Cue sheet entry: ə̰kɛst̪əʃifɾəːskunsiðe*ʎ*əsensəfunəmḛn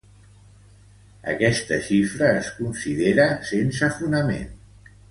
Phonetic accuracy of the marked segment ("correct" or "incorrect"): incorrect